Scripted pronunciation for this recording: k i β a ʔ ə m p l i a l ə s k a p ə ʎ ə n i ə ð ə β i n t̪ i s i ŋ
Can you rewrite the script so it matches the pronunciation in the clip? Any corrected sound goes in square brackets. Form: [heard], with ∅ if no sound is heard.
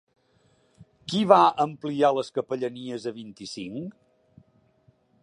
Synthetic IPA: k i β a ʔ ə m p l i a l ə s k [ə] p ə ʎ ə n i ə [z] ə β i n t̪ i s i ŋ